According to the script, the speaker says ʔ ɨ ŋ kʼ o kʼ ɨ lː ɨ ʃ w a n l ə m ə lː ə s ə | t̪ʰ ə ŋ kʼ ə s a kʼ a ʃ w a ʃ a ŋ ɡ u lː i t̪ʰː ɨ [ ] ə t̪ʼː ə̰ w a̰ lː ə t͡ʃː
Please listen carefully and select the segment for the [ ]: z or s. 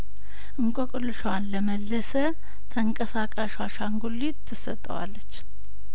s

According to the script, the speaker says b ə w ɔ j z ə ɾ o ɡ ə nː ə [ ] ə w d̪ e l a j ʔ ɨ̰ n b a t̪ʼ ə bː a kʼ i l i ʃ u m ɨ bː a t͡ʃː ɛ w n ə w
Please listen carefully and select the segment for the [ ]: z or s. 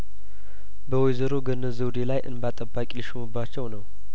z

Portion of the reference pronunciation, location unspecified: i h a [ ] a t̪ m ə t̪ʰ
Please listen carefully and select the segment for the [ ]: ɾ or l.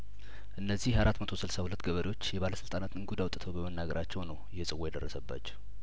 ɾ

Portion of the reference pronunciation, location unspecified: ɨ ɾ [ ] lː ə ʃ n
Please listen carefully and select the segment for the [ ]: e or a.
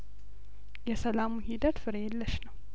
e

